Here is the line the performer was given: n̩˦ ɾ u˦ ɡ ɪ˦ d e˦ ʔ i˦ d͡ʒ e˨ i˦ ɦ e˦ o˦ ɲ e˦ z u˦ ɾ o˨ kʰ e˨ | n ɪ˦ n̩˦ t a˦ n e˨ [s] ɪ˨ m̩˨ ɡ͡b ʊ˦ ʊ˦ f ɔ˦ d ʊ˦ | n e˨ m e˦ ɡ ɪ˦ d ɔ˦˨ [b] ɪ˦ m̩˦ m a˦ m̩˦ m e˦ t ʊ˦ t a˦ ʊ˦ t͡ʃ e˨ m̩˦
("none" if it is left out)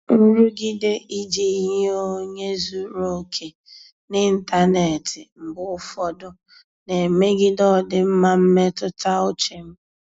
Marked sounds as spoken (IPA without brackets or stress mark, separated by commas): t, d